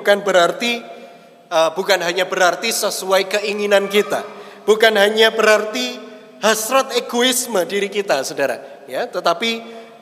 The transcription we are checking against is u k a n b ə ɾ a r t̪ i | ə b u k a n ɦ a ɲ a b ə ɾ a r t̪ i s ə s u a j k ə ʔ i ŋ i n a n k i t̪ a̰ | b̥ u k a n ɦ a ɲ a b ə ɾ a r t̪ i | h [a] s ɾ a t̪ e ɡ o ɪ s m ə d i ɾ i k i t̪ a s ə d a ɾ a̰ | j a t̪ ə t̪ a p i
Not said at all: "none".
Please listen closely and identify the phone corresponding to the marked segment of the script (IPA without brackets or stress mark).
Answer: a